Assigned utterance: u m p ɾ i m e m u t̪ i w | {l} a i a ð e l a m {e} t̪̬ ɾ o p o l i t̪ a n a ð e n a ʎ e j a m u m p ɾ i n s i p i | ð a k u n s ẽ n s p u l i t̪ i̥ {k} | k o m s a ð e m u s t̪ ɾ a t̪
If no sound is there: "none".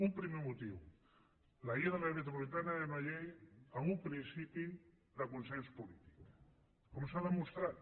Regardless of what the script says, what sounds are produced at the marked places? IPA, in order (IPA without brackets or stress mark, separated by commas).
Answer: l, e, k